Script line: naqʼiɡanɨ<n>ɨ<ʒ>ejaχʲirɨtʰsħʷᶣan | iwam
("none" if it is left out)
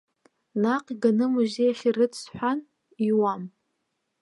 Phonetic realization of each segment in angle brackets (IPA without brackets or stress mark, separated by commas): m, ʒ